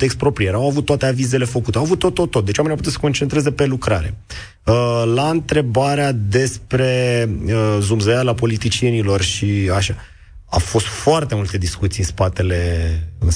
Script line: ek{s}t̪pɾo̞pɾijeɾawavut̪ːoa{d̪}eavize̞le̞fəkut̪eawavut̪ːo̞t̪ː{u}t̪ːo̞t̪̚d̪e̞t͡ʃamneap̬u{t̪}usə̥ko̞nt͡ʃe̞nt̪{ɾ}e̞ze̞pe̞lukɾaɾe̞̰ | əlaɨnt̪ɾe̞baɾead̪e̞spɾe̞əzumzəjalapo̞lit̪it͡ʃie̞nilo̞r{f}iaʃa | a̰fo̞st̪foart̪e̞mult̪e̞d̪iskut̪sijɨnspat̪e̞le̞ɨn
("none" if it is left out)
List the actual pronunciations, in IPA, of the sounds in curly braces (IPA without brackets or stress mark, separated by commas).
s, t̪, o, t̪, ɾ, ʃ